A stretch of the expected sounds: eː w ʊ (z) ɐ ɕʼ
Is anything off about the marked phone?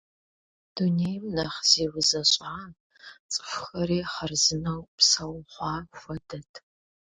no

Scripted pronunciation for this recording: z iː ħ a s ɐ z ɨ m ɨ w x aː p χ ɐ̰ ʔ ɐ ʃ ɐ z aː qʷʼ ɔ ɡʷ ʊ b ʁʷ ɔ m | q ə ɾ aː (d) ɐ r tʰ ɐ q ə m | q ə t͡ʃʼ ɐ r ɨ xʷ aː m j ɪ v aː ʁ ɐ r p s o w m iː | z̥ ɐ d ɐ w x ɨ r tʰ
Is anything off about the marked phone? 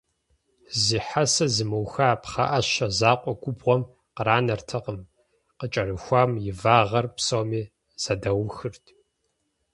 yes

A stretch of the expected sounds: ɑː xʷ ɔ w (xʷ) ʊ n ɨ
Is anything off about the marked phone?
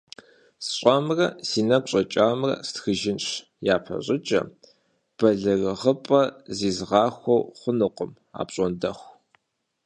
yes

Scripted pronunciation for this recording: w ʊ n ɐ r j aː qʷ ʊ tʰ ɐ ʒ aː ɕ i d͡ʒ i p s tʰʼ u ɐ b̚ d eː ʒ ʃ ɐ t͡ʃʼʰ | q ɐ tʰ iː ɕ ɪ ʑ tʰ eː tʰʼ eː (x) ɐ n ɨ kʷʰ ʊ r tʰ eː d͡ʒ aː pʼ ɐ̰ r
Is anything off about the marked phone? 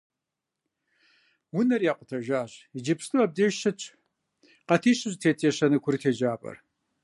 yes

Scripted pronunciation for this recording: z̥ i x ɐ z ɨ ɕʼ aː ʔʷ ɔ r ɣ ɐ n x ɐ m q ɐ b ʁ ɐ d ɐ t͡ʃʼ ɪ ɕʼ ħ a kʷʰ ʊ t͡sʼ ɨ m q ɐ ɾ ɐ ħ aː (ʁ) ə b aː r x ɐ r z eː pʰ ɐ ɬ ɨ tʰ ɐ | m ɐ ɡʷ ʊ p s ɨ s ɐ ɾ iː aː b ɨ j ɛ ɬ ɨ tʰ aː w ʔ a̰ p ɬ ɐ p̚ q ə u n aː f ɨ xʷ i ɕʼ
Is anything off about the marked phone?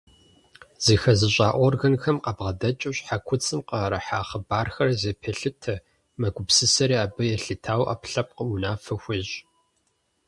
yes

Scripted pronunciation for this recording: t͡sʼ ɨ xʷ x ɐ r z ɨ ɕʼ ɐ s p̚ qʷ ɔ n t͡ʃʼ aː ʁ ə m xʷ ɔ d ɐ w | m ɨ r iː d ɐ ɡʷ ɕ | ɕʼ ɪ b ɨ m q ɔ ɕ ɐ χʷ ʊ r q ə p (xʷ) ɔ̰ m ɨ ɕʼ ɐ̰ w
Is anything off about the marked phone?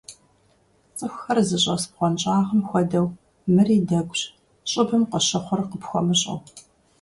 no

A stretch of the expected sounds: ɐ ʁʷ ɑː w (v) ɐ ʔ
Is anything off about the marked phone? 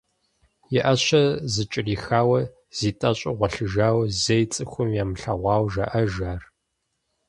yes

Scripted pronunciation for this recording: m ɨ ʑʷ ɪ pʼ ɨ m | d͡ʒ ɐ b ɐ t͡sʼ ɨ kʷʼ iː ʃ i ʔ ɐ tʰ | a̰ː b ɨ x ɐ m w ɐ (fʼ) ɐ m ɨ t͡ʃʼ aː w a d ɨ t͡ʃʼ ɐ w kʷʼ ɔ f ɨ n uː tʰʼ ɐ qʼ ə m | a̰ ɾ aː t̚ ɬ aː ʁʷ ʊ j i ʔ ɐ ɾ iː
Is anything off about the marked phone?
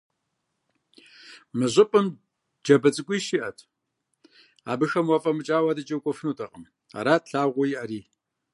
no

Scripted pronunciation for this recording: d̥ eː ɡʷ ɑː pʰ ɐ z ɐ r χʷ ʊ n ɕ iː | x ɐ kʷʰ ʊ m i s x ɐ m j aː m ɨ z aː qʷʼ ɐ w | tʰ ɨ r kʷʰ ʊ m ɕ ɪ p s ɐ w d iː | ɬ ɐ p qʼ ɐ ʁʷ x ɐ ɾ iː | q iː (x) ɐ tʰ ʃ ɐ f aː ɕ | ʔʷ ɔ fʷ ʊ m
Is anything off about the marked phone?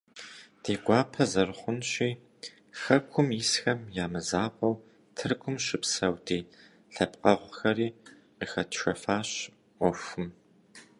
no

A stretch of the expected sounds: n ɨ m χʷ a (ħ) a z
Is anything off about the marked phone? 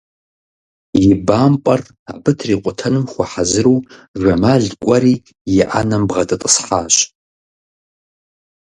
no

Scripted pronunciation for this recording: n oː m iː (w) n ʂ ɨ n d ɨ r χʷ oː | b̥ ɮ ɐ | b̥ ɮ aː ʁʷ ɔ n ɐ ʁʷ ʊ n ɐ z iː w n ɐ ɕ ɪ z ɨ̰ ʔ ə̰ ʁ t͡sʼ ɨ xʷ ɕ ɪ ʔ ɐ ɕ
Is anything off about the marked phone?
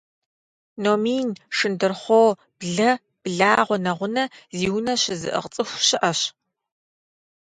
yes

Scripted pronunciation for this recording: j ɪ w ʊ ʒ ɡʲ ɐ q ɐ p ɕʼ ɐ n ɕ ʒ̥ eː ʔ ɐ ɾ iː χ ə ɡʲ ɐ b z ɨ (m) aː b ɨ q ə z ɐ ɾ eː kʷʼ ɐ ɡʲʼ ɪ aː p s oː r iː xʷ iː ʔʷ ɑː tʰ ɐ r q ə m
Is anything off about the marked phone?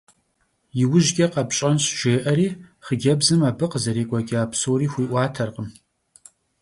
no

